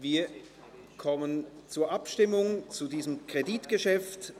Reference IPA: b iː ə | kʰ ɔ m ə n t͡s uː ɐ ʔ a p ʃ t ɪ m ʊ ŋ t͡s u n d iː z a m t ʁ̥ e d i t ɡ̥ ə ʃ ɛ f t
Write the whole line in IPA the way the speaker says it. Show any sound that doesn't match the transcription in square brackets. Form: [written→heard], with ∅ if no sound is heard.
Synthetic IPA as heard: [b→v] iː [ə→ɐ] | kʰ ɔ m ə n t͡s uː ɐ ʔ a p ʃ t ɪ m ʊ ŋ t͡s u [n→∅] d iː z [a→ə] m [t→k] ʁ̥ e d i t ɡ̥ ə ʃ ɛ f t